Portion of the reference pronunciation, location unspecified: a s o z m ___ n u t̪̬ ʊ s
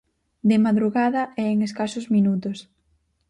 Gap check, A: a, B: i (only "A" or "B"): B